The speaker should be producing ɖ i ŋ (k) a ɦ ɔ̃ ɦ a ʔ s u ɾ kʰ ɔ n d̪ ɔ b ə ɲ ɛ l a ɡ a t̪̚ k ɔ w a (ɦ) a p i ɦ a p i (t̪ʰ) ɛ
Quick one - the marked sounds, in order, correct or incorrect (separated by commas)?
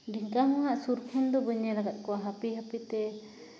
correct, correct, incorrect